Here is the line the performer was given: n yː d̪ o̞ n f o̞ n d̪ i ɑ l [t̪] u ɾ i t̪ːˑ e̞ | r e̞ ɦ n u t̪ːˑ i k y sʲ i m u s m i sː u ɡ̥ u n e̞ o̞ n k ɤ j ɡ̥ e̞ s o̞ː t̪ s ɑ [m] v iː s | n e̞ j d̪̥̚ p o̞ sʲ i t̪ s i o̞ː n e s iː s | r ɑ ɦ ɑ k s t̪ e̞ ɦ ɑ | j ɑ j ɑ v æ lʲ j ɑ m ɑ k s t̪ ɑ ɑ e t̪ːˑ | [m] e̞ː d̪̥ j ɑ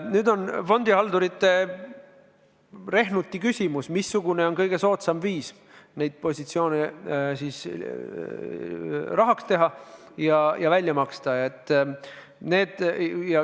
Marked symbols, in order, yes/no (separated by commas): no, yes, no